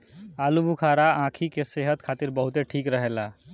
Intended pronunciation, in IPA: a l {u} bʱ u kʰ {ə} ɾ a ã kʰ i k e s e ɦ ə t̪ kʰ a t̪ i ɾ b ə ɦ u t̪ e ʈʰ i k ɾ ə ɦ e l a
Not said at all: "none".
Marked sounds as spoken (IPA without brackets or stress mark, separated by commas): u, a